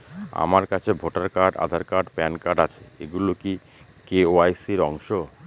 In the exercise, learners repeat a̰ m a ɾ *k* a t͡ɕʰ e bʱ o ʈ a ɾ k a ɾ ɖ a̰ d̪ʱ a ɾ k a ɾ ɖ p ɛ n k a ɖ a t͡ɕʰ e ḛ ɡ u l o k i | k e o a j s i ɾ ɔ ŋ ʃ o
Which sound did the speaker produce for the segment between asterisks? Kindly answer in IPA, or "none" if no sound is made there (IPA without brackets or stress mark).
k